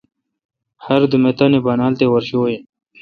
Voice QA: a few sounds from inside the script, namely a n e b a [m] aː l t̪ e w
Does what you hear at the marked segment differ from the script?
yes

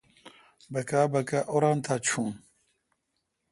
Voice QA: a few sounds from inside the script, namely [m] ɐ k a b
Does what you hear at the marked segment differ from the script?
yes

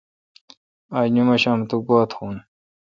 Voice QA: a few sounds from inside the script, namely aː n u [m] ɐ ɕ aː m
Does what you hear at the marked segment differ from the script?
no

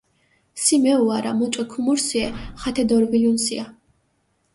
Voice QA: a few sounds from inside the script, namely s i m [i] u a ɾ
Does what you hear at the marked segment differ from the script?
yes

